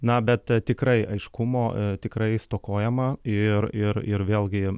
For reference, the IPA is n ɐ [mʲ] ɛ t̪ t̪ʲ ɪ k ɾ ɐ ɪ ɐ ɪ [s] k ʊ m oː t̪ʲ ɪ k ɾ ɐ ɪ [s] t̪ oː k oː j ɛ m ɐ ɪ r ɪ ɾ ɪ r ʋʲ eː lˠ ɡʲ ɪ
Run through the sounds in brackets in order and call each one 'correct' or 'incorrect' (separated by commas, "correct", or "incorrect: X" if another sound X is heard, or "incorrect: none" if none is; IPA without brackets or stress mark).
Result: incorrect: bʲ, incorrect: ʃ, correct